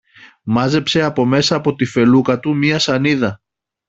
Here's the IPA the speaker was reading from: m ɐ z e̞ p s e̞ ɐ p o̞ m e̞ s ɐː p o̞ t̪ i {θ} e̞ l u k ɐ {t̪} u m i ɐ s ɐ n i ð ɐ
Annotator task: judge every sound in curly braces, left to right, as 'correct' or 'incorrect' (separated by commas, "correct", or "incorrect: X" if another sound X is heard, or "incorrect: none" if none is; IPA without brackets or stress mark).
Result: incorrect: f, correct